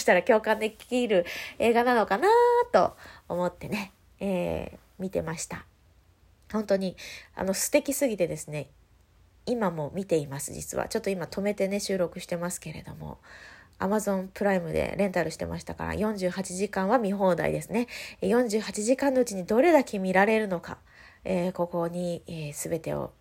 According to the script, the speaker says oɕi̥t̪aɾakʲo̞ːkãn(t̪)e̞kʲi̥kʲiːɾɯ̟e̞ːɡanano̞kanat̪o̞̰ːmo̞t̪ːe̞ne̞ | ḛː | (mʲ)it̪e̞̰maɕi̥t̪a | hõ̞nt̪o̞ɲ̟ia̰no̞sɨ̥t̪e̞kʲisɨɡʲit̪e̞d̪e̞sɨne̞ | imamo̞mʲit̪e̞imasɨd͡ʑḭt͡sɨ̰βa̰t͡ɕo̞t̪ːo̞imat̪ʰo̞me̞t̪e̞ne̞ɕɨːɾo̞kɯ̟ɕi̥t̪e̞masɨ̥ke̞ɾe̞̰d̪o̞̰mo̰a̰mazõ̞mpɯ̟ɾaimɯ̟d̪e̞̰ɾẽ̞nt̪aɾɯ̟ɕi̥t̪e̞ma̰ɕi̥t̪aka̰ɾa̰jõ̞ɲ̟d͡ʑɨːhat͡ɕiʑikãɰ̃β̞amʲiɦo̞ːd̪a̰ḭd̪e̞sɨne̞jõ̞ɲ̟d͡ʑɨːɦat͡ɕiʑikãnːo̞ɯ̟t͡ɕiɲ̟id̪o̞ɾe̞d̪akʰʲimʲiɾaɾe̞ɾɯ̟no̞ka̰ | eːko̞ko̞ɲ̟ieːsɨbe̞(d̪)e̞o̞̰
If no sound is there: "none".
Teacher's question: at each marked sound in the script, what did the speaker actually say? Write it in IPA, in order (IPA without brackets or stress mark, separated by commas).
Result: d̪, mʲ, t̪